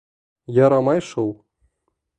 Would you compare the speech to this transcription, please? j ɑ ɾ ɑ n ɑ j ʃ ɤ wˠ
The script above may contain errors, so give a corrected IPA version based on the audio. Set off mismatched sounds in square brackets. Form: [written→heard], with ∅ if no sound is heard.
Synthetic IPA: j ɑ ɾ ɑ [n→m] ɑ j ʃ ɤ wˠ